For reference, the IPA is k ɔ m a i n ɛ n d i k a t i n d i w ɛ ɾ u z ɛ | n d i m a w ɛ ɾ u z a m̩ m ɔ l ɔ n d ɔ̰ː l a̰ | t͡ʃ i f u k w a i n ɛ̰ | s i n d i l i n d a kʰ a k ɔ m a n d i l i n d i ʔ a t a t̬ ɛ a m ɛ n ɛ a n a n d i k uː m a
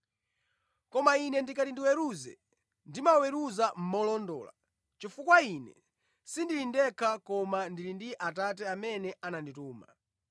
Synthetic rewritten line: k ɔ m a i n ɛ n d i k a t i n d i w ɛ ɾ u z ɛ | n d i m a w ɛ ɾ u z a m̩ m ɔ l ɔ n d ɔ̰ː l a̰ | t͡ʃ i f u k w a i n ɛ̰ | s i n d i l i n d ɛ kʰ a k ɔ m a n d i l i n d i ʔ a t a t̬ ɛ a m ɛ n ɛ a n a n d i t uː m a